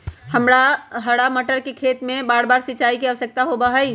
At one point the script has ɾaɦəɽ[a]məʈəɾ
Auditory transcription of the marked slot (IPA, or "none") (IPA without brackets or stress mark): a